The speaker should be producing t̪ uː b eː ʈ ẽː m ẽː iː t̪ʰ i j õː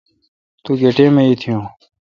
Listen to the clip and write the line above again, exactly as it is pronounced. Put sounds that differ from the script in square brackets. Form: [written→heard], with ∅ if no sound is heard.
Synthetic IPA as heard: t̪ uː [b→ɡ] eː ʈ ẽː m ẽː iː t̪ʰ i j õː